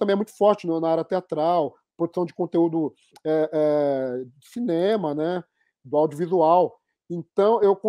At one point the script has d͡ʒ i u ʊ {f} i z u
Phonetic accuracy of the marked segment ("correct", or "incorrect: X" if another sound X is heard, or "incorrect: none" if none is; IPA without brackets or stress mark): incorrect: v